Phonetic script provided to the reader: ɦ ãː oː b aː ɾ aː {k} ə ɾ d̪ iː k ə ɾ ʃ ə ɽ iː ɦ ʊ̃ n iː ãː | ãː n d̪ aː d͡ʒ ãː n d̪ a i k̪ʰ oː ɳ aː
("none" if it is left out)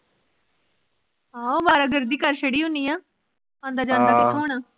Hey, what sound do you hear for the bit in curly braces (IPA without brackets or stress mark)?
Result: ɡ